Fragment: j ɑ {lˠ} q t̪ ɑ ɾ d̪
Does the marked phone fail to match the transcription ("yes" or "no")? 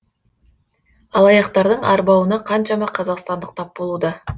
yes